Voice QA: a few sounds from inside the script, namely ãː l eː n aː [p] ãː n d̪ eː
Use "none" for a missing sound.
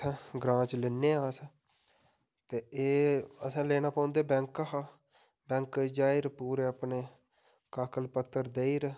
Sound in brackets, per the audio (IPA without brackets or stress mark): p